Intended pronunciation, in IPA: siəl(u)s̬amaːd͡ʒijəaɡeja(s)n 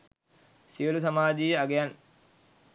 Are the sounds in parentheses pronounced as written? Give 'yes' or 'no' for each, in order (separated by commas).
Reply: yes, no